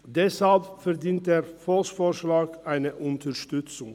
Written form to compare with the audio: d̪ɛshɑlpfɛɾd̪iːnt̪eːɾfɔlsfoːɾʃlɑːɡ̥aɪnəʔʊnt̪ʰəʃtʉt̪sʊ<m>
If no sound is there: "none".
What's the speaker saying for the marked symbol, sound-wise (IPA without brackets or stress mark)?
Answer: ŋ